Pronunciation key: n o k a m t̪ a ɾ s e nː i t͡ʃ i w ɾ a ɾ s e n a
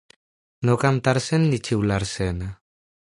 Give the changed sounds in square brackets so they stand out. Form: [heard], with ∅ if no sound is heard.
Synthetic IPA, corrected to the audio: n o k a m t̪ a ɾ s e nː i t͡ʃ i w [l] a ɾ s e n a